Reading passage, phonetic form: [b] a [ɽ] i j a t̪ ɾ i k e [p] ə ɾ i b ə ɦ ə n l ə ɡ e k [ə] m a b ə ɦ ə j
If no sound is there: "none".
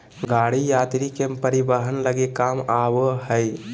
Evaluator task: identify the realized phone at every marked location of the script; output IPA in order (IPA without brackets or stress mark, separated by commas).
ɡ, ɽ, p, a